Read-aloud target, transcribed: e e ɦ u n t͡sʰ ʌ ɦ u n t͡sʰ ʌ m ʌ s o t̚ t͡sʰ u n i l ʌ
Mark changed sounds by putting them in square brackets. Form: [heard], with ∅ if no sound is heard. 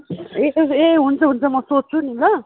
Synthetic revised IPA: e e ɦ u n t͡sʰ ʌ ɦ u n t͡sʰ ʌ m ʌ s o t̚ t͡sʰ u n i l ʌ

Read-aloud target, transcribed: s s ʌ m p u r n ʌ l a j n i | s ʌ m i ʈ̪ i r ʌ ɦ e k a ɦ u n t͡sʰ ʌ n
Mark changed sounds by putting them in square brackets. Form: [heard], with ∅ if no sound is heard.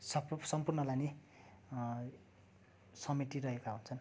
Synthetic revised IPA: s s ʌ m p u r n ʌ l a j n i | s ʌ m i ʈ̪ i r ʌ ɦ e k a ɦ u n t͡sʰ ʌ n

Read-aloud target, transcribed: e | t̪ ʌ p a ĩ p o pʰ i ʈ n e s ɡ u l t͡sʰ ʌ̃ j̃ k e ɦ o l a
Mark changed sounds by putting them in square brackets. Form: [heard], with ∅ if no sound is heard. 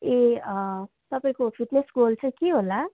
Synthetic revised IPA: e | t̪ ʌ p a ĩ [k] o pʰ i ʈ n e s ɡ [o] l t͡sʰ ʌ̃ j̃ k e ɦ o l a

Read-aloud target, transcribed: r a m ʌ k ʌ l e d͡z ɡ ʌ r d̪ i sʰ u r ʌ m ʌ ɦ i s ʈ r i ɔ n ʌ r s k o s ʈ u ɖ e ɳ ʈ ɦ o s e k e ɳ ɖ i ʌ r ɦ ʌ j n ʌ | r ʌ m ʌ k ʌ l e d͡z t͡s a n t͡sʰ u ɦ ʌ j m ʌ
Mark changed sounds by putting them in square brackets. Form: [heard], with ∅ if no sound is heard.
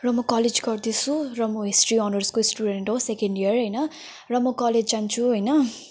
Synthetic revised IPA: r [ʌ] m ʌ k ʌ l e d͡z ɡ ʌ r d̪ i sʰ u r ʌ m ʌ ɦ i s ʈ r i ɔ n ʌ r s k o s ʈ u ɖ e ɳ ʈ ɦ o s e k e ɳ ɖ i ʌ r ɦ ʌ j n ʌ | r ʌ m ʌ k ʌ l e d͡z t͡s a n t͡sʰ u ɦ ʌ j [n] ʌ

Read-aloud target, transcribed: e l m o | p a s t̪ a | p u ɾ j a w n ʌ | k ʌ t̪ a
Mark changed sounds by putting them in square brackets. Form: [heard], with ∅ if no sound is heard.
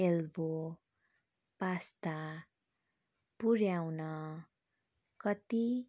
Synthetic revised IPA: e l [b] o | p a s t̪ a | p u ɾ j a w n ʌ | k ʌ t̪ [i]

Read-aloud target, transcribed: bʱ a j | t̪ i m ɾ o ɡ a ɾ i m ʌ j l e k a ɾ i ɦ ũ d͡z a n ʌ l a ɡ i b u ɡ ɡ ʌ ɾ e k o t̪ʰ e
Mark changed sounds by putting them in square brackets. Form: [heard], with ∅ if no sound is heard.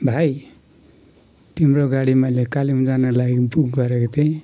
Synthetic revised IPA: bʱ a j | t̪ i m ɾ o ɡ a [ɽ] i m ʌ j l e k a [l] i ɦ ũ d͡z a n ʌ l a ɡ i b u ɡ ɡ ʌ ɾ e k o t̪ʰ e

